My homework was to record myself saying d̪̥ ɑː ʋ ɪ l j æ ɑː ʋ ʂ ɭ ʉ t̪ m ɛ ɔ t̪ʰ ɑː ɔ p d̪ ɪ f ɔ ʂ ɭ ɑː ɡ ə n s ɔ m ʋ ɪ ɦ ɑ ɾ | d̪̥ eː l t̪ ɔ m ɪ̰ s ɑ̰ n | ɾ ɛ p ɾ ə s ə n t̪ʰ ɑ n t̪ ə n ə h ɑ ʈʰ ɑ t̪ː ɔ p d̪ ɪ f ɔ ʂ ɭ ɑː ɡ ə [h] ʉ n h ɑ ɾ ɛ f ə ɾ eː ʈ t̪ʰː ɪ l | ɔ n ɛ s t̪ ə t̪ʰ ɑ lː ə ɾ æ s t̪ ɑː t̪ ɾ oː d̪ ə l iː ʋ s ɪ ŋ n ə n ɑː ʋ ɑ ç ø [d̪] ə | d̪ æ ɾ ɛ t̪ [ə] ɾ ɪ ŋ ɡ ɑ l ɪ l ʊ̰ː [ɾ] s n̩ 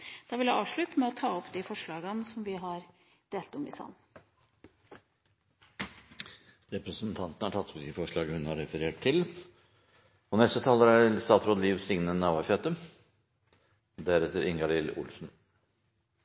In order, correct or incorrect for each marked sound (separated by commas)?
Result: correct, incorrect, correct, incorrect